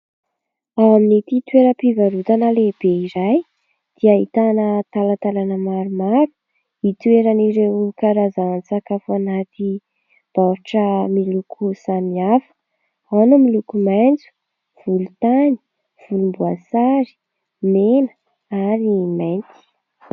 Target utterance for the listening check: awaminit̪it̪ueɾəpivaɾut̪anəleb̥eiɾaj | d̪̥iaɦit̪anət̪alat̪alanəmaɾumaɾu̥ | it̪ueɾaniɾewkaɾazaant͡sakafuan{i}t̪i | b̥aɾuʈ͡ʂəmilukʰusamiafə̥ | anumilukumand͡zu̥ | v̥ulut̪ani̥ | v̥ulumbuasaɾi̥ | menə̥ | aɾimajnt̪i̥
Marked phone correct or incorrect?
incorrect